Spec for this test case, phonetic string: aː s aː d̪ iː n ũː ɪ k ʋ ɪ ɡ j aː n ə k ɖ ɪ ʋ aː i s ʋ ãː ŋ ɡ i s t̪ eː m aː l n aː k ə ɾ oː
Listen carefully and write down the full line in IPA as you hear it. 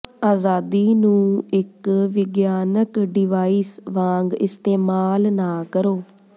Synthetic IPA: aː z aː d̪ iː n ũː ɪ k ʋ ɪ ɡ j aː n ə k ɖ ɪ ʋ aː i s ʋ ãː ŋ ɡ ɪ s t̪ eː m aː l n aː k ə ɾ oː